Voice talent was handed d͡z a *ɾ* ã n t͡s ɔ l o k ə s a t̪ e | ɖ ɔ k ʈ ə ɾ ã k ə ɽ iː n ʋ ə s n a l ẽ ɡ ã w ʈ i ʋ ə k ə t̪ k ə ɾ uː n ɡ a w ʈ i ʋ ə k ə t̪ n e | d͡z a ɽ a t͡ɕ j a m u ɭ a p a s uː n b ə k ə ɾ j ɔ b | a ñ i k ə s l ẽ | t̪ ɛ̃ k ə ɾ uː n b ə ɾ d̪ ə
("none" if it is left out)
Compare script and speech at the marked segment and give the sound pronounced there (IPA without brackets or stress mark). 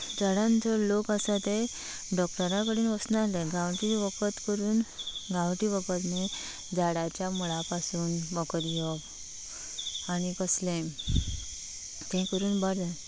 ɽ